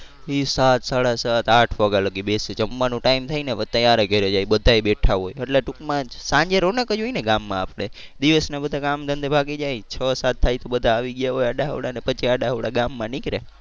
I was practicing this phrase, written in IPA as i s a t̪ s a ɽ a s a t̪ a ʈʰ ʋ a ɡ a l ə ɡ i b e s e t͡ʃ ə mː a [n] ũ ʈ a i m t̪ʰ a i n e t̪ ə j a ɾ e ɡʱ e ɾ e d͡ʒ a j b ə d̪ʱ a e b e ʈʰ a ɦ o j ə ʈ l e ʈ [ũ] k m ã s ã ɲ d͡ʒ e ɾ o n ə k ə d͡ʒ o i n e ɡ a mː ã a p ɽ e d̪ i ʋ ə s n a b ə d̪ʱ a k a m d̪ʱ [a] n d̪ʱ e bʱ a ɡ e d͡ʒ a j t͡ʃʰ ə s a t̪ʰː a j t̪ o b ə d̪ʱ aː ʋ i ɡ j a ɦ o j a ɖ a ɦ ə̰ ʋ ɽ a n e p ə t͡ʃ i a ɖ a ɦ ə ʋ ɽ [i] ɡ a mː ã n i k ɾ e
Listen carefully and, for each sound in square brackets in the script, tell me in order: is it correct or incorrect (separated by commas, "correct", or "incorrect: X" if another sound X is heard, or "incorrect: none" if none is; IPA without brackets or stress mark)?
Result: correct, incorrect: u, incorrect: ə, incorrect: a